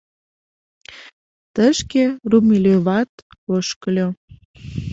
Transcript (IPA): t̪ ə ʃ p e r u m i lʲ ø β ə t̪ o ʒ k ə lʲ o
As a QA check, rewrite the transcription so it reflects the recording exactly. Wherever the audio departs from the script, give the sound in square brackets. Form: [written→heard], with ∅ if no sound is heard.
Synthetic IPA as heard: t̪ ə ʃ [p→k] e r u m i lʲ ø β [ə→ɑ] t̪ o [ʒ→ʃ] k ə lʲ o